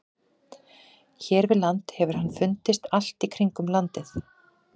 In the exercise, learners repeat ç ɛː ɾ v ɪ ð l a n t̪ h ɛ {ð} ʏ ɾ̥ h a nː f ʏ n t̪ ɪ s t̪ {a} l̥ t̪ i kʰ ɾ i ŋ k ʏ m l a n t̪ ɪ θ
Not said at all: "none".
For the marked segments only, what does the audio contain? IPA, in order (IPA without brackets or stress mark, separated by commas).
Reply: v, a